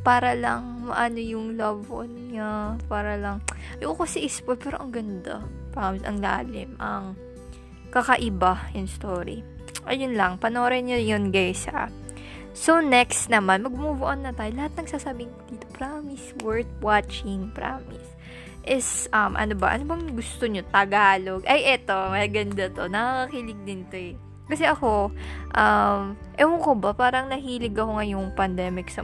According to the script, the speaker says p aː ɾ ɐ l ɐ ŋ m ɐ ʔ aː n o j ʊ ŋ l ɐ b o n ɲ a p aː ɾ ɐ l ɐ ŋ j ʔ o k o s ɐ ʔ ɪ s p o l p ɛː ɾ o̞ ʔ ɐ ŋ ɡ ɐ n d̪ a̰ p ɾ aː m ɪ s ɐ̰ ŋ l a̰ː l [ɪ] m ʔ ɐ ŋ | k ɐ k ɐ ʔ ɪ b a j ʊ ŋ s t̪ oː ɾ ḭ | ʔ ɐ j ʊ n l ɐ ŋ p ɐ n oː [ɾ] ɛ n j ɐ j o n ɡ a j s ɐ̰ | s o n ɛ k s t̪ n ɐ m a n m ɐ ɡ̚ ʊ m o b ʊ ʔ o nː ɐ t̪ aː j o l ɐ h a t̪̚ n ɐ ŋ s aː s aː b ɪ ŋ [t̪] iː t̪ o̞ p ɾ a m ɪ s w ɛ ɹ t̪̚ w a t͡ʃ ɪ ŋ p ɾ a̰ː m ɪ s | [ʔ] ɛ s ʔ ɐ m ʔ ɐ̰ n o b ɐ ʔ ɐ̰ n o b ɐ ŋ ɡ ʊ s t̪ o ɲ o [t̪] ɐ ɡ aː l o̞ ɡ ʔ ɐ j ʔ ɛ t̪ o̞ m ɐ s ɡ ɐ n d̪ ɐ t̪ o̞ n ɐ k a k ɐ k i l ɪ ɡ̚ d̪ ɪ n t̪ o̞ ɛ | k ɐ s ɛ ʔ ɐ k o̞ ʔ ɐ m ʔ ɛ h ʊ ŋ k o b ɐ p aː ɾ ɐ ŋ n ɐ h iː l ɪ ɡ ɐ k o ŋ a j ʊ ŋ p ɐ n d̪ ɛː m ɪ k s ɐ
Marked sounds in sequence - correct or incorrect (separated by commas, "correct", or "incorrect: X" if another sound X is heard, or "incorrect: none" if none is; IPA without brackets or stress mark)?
correct, correct, incorrect: d̪, correct, correct